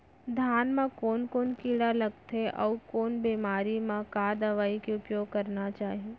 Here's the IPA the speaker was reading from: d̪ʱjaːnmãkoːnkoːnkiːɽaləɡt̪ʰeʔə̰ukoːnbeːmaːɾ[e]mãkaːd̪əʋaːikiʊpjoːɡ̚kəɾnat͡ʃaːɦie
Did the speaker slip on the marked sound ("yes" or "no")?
yes